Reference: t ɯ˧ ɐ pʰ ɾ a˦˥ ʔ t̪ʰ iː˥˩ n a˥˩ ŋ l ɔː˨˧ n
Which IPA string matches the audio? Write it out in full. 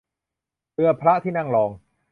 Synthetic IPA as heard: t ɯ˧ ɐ pʰ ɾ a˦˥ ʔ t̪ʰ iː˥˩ n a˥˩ ŋ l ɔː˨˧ ŋ